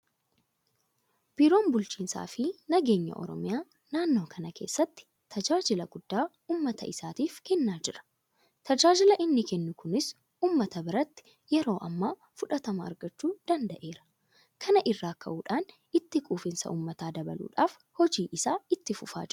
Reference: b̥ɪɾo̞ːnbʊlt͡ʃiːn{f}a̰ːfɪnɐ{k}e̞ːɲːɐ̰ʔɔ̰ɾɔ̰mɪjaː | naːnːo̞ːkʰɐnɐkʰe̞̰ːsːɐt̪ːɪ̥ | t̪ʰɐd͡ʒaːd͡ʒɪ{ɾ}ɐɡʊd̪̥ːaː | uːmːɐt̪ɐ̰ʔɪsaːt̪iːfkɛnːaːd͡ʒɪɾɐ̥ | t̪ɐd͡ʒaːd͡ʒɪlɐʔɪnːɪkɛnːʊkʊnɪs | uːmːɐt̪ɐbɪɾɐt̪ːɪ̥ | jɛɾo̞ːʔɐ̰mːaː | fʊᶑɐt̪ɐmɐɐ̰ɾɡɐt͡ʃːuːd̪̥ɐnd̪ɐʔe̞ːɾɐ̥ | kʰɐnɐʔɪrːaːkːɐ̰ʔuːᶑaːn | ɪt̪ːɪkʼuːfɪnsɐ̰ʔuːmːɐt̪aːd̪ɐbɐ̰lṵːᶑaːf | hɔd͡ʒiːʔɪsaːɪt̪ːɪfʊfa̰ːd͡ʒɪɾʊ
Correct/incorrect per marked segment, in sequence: incorrect: s, incorrect: ɡ, incorrect: l

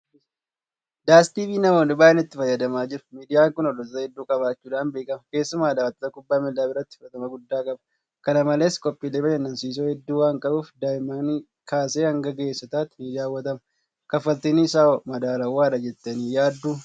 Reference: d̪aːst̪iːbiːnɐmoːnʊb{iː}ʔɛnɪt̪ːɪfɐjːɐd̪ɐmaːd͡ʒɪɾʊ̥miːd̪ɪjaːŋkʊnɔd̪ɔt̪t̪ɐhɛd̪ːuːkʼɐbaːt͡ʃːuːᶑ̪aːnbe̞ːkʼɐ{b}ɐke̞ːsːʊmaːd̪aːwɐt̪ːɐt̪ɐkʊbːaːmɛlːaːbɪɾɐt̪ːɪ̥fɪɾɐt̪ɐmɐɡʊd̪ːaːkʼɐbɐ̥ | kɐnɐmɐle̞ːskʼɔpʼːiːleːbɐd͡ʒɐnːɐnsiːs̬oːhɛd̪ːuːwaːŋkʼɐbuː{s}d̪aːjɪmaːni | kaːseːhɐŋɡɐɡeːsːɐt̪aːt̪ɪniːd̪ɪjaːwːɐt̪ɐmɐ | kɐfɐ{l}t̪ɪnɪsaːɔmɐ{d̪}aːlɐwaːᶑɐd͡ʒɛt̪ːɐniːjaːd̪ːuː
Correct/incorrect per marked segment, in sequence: incorrect: aː, incorrect: m, incorrect: f, correct, correct

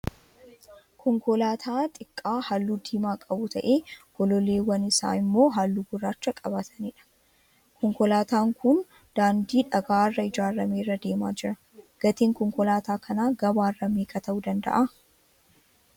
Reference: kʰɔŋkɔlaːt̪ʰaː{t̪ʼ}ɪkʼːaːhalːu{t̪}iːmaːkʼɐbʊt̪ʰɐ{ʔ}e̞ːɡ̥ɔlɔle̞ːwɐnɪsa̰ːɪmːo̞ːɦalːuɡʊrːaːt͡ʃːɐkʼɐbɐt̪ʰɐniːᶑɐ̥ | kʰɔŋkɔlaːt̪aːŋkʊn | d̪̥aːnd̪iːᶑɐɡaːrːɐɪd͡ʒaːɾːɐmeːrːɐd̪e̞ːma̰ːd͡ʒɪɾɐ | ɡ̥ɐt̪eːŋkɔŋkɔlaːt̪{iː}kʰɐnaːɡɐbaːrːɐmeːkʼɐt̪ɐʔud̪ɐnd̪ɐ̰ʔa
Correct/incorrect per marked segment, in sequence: correct, incorrect: d̪, correct, incorrect: aː

